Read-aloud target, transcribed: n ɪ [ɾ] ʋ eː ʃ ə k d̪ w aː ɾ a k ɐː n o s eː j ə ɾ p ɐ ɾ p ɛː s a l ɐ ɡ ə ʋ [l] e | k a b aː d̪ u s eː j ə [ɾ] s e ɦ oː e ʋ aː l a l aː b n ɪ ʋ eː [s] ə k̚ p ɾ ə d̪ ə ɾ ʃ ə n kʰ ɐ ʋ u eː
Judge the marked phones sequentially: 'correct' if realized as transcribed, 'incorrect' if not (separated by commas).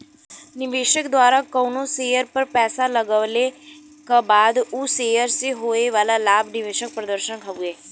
incorrect, correct, correct, incorrect